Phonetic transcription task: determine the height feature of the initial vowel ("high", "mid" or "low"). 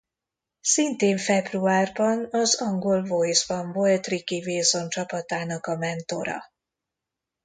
high